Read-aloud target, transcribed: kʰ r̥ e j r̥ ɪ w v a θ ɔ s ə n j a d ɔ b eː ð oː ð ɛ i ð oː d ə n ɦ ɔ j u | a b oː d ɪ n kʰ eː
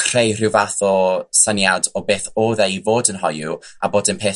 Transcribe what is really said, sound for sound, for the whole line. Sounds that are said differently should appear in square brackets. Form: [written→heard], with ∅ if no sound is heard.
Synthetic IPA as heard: kʰ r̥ e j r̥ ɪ w v a θ ɔ s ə n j a d ɔ b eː [ð→θ] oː ð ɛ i [ð→v] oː d ə n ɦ ɔ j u | a b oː d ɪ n [kʰ→pʰ] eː